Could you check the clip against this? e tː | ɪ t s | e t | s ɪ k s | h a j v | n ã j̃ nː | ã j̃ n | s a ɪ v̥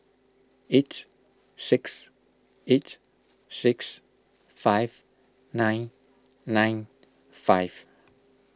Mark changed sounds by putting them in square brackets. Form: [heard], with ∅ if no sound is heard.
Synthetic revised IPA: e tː | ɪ [k] s | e t | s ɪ k s | [f] a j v | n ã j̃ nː | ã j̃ n | [f] a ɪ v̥